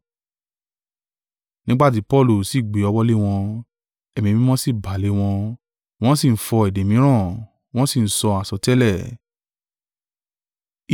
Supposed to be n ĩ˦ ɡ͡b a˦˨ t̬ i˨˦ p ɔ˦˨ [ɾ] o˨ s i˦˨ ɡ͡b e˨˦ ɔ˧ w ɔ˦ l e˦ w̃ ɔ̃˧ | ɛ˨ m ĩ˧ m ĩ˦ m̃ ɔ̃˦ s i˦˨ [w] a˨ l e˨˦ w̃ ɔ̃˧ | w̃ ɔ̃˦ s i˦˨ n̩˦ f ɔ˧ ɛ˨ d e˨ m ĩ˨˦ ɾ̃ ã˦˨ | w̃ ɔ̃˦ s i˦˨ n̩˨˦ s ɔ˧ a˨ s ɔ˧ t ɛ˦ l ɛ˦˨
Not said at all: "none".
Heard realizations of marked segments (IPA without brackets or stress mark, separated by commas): l, b